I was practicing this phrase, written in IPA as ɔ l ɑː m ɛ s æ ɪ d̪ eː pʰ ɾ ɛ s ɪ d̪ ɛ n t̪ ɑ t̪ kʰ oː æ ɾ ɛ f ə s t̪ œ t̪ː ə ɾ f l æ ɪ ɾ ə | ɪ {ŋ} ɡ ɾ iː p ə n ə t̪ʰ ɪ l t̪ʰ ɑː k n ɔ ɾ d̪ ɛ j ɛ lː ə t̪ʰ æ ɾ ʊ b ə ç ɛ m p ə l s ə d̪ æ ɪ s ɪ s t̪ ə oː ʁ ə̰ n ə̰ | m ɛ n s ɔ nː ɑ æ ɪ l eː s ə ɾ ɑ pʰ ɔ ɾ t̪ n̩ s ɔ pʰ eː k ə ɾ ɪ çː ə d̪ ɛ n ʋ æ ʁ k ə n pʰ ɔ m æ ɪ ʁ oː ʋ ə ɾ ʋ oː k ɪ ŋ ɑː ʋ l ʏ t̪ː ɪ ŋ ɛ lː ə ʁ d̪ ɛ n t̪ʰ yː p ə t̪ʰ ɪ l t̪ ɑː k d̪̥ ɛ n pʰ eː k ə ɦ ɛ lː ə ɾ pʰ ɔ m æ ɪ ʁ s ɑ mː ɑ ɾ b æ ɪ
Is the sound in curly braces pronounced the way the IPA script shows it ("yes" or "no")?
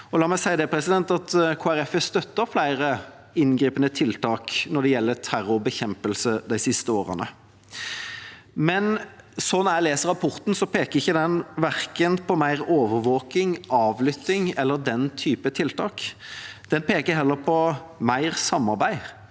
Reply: no